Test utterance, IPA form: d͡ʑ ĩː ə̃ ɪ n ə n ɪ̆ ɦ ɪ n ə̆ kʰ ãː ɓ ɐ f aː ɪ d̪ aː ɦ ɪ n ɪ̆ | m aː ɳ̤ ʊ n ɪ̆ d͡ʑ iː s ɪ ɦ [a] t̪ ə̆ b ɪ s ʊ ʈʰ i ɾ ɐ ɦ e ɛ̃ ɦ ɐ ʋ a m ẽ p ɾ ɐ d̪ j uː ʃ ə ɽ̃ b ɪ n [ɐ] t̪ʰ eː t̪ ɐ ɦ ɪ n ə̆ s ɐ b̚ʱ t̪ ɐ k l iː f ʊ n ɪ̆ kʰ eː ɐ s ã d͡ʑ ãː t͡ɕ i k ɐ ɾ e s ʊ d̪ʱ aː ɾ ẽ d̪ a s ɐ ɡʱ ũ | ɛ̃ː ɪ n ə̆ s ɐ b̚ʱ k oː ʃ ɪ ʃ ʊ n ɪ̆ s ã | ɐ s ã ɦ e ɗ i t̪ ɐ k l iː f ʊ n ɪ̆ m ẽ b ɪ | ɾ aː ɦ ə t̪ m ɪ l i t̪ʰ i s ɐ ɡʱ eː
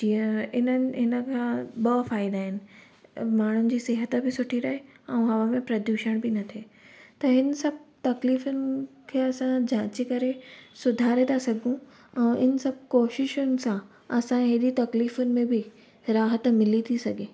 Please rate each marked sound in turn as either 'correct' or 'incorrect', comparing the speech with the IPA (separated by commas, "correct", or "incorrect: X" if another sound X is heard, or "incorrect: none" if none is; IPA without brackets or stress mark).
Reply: incorrect: ə, correct